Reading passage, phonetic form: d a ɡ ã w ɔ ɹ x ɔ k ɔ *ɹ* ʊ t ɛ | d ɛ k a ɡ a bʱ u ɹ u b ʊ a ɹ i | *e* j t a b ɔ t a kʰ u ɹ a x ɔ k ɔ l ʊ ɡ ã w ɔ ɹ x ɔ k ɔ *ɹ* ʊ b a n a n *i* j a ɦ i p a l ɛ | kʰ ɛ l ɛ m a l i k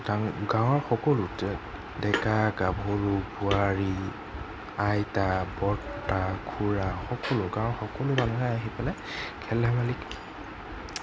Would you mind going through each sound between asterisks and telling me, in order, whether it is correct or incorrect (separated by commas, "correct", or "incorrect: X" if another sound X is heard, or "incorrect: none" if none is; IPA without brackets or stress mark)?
incorrect: l, incorrect: a, incorrect: l, incorrect: a